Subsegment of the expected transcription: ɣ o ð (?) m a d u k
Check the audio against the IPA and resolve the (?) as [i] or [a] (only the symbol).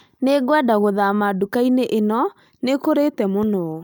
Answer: a